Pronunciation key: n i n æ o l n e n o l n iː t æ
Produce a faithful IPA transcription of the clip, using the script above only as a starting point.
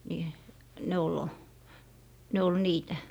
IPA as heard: n i n e o l n e o l n iː t æ